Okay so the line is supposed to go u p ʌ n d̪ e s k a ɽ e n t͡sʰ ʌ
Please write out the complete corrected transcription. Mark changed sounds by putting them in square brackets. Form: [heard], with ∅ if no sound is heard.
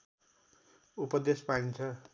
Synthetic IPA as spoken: u p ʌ [∅] d̪ e s [p] a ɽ [i] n t͡sʰ ʌ